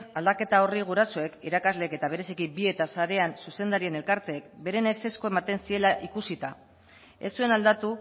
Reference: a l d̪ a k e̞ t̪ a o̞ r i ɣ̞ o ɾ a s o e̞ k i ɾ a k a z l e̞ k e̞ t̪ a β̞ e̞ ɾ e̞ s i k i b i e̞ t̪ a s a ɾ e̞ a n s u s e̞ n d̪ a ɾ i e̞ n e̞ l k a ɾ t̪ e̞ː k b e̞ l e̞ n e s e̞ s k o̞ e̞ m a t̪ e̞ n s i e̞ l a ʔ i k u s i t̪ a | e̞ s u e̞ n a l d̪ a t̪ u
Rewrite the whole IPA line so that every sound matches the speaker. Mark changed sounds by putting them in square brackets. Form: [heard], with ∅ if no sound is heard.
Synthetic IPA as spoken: a l d̪ a k e̞ t̪ a o̞ r i ɣ̞ [u] ɾ a s o e̞ k i ɾ a k a z l e̞ k e̞ t̪ a β̞ e̞ ɾ e̞ s i k i b i e̞ t̪ a s a ɾ e̞ a n s u s e̞ n d̪ a ɾ i e̞ n e̞ l k a ɾ t̪ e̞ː k b e̞ [ɾ] e̞ n e s e̞ s k o̞ e̞ m a t̪ e̞ n s i e̞ l a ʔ i k u s i t̪ a | e̞ s u e̞ n a l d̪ a t̪ u